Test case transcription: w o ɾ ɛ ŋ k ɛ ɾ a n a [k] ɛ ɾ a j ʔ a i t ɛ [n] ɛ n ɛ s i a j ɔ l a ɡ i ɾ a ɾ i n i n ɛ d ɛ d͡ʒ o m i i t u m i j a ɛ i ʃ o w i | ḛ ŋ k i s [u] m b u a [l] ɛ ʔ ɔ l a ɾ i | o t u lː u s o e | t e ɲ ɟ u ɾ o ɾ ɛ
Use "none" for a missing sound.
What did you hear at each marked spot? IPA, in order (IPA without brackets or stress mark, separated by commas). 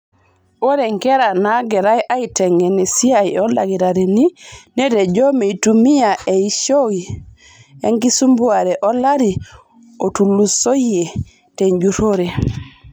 ɡ, ŋ, u, ɾ